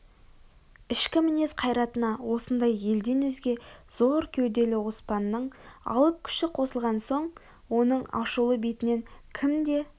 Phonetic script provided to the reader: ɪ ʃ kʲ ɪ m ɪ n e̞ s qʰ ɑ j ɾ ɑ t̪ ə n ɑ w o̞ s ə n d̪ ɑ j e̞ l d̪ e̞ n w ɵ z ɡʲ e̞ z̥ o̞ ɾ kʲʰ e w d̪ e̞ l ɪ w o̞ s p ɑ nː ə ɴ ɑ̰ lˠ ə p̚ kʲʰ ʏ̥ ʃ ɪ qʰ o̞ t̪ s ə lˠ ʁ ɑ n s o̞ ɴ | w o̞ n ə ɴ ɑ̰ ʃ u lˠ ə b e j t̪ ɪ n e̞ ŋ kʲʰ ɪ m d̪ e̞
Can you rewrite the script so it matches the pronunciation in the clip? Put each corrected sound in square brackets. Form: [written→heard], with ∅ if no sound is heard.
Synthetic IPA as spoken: ɪ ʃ kʲ ɪ m ɪ n e̞ s qʰ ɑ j ɾ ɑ t̪ ə n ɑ w o̞ s ə n d̪ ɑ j e̞ l d̪ e̞ n w ɵ z ɡʲ e̞ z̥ o̞ ɾ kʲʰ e w d̪ e̞ l ɪ w o̞ s p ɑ nː ə ɴ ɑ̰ lˠ ə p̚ kʲʰ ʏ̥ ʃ ɪ qʰ o̞ [t̪→∅] s ə lˠ ʁ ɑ n s o̞ ɴ | w o̞ n ə ɴ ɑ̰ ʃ u lˠ ə b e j t̪ ɪ n e̞ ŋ kʲʰ ɪ m d̪ e̞